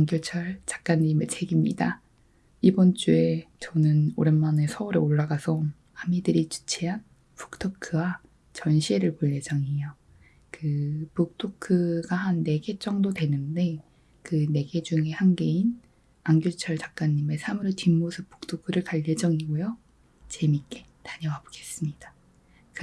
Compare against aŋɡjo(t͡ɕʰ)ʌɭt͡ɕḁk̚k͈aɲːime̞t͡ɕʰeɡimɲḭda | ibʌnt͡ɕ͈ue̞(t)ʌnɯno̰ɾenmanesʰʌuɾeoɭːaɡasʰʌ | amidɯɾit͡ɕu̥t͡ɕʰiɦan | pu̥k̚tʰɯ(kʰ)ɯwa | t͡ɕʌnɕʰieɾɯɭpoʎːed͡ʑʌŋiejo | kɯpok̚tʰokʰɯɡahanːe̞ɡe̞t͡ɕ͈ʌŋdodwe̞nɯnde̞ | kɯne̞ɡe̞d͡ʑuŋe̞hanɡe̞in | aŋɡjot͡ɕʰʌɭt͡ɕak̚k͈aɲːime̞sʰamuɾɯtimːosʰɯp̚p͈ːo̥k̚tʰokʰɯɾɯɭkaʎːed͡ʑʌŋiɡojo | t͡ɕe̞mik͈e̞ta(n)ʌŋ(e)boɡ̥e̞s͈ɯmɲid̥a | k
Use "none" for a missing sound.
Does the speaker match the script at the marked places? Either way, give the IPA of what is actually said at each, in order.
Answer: t͡ɕʰ, t͡ɕ, kʰ, ɲ, a

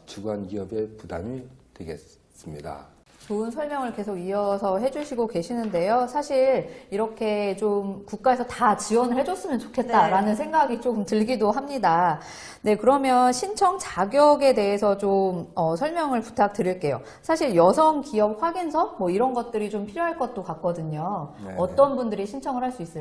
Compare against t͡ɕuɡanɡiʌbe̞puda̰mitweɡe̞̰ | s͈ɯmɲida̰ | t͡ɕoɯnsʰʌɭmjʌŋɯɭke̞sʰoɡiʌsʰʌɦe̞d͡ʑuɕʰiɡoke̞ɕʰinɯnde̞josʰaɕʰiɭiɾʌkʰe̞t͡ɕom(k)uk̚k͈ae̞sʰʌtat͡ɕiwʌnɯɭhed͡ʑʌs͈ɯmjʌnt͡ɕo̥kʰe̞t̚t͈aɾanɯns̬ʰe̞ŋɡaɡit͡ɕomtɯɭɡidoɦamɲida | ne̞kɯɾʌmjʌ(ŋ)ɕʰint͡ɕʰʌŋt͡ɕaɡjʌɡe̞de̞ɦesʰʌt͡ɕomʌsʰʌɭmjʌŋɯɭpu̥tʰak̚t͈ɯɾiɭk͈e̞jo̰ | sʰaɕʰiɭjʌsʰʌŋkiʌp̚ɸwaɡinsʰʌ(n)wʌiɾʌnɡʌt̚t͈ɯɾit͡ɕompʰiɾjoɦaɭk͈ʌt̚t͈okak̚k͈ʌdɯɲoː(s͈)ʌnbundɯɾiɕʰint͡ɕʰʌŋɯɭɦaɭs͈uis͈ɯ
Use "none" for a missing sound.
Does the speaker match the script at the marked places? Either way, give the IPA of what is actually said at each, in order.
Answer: k, n, m, t͈

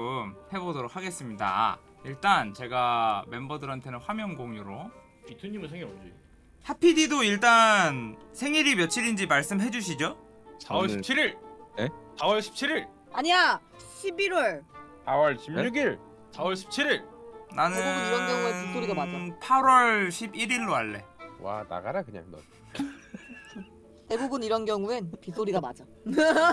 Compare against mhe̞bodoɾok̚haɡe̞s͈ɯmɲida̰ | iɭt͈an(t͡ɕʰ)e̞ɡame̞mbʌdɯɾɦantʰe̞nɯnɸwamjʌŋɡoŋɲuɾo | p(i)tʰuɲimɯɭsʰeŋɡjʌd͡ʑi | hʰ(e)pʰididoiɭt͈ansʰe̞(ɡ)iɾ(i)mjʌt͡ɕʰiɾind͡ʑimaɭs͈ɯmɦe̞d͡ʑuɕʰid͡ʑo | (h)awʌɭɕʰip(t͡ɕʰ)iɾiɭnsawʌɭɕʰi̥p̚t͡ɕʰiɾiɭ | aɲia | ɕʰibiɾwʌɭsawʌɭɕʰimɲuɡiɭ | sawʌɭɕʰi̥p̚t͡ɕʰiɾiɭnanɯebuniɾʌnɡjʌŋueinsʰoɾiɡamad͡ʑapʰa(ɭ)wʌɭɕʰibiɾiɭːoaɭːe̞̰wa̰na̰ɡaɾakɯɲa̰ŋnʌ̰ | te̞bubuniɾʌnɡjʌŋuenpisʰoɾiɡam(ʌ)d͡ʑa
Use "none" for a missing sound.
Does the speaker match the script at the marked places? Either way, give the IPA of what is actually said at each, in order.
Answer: t͡ɕ, i, a, ŋ, i, s, t͡ɕʰ, ɾ, a

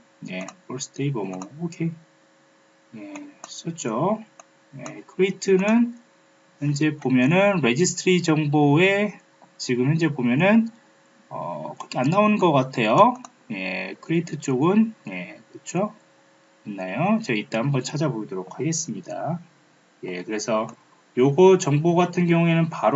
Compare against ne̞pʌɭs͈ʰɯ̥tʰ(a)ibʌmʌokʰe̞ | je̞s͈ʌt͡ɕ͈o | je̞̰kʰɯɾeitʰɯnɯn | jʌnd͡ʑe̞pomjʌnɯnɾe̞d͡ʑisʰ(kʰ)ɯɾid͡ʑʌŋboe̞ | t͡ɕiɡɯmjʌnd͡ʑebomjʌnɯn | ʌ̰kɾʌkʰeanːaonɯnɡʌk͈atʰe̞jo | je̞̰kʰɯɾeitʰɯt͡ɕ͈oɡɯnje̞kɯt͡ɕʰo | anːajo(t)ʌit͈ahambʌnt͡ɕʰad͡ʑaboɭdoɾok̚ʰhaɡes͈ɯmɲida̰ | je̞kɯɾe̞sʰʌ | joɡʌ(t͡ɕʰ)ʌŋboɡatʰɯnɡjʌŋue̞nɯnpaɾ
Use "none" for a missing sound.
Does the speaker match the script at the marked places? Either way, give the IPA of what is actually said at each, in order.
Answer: e, tʰ, t͡ɕ, t͡ɕ

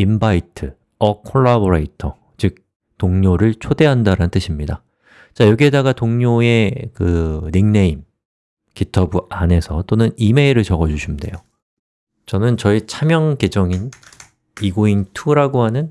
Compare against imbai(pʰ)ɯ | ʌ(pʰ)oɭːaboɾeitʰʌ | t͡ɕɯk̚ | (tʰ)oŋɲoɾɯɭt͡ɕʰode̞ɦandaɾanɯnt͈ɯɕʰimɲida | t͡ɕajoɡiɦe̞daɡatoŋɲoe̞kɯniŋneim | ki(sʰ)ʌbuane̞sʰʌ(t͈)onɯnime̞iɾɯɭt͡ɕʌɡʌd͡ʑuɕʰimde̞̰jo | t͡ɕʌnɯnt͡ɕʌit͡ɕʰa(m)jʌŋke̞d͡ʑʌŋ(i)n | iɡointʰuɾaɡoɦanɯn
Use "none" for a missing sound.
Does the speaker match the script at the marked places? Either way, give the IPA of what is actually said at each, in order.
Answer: tʰ, kʰ, t, tʰ, t͈, m, i

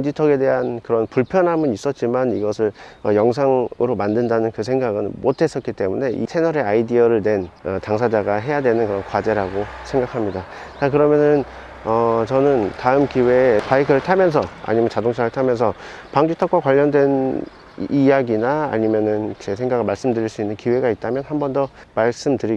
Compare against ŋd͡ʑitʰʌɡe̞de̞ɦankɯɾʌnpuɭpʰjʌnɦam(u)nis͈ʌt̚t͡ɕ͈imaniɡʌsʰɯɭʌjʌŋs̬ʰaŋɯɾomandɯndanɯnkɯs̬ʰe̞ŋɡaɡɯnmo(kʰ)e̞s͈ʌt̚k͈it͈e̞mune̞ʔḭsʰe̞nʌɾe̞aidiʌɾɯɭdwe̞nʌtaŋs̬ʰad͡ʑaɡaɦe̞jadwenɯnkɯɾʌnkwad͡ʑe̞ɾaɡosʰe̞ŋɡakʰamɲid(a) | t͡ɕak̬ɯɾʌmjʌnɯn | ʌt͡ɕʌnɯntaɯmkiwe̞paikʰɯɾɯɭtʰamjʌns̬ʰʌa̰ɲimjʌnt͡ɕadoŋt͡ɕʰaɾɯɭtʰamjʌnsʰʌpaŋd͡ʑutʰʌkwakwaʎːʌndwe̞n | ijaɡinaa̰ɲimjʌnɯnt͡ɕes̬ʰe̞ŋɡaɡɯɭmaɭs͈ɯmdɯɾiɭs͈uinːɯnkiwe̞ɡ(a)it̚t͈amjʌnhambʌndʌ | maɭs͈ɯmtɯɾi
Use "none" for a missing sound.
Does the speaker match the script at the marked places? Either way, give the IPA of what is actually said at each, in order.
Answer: ɯ, tʰ, a, a

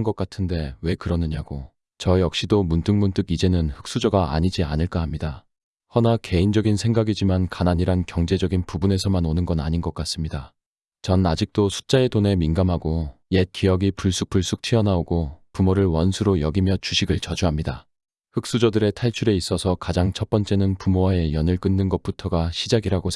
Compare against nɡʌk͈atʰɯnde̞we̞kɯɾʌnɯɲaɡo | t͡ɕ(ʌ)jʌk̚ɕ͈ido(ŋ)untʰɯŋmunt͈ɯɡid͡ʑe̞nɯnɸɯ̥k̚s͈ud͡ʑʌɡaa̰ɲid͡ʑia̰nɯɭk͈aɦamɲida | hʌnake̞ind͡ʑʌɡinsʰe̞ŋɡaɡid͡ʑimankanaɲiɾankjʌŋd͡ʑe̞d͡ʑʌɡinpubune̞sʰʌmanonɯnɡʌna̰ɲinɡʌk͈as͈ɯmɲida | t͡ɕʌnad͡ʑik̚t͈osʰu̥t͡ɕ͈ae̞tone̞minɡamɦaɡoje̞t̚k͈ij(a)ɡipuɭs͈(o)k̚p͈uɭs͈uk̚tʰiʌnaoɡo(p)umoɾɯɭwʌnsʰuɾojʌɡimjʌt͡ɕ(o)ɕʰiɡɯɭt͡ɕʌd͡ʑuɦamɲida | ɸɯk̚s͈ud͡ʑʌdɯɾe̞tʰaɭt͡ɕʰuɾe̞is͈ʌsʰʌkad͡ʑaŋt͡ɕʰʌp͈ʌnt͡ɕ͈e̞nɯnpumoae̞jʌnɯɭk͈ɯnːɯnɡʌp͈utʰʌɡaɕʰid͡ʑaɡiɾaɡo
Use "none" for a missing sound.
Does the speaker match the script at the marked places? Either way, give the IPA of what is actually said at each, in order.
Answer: ʌ, m, ʌ, u, p, u

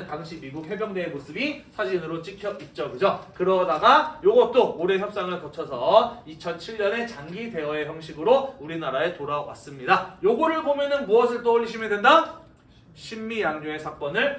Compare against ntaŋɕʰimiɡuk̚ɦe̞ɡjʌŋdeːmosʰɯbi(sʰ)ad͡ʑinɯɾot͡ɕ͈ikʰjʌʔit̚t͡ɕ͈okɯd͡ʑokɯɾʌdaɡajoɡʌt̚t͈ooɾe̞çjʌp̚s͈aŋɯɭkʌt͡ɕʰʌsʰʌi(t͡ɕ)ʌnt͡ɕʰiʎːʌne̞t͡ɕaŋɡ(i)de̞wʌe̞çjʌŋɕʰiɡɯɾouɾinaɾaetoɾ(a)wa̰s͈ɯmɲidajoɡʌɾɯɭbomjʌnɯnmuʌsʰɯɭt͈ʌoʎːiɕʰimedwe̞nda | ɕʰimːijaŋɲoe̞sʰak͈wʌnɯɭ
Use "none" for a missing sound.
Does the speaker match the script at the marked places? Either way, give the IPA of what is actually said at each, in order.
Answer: sʰ, t͡ɕʰ, i, a

